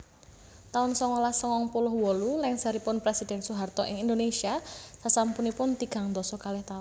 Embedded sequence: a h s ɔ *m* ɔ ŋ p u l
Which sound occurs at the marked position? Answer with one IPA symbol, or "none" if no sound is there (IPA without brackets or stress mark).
ŋ